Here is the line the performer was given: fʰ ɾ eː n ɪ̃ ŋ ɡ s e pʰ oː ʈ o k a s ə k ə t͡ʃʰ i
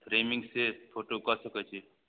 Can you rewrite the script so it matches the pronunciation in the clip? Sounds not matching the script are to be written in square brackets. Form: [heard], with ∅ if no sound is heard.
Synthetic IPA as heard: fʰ ɾ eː [m] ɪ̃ ŋ ɡ s e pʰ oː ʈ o k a s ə k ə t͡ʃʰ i